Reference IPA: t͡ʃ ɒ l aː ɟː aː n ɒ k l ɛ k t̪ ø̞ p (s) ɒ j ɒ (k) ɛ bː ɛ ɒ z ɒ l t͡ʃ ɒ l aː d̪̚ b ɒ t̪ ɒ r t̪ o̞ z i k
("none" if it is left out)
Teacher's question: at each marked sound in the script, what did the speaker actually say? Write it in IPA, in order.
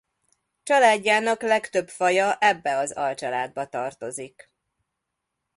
f, ʔ

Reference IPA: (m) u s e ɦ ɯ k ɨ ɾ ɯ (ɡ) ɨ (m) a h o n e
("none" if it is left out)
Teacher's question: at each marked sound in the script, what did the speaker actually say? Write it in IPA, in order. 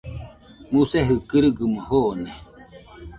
m, ɡ, m

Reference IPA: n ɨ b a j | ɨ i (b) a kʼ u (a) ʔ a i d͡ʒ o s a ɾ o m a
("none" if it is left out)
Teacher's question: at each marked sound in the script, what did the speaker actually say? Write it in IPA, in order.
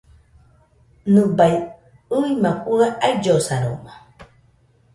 m, a

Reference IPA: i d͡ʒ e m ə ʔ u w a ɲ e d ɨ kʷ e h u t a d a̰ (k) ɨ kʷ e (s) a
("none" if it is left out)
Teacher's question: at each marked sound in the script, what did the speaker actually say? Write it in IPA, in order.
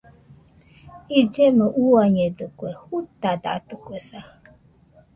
t, s

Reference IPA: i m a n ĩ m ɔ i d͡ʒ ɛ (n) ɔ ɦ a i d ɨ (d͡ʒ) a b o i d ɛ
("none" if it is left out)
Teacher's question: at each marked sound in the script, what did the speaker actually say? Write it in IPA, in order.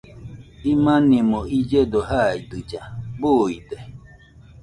d, d͡ʒ

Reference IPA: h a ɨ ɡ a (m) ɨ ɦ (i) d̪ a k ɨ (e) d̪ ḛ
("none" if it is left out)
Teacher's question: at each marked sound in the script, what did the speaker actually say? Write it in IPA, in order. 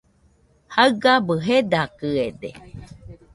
b, e, e

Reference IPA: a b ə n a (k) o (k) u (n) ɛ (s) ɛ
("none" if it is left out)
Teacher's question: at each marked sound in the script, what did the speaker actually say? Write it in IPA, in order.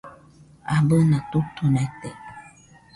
t, t, n, t

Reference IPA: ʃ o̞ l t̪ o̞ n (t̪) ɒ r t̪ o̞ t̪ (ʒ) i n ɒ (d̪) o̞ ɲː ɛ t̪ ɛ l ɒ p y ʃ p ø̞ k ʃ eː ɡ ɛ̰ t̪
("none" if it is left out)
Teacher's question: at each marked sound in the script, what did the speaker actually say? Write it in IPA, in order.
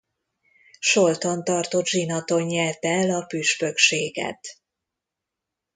t̪, ʒ, t̪

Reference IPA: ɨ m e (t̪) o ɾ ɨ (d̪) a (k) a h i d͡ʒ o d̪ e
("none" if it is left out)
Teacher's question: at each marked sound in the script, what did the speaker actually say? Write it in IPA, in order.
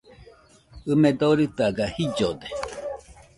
d̪, t̪, ɡ

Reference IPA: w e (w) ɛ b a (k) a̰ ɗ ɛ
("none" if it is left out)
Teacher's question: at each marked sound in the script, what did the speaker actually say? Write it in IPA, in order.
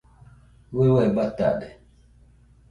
w, t

